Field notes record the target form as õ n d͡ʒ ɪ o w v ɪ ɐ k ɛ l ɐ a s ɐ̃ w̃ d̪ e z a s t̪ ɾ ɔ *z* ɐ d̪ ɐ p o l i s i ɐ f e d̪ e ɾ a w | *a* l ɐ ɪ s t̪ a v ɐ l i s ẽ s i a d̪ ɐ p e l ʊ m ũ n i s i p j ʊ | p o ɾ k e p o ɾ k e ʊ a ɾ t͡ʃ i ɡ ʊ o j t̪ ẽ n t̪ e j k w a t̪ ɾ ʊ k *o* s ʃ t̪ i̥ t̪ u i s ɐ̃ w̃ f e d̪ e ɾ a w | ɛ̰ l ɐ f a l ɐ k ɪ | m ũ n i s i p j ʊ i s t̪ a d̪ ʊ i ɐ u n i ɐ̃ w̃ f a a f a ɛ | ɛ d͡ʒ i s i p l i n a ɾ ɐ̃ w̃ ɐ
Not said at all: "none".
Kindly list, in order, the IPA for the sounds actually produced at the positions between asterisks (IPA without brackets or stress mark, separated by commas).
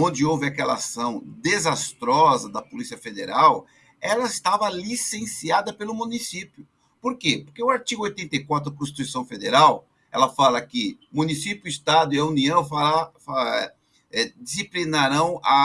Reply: z, ɛ, õ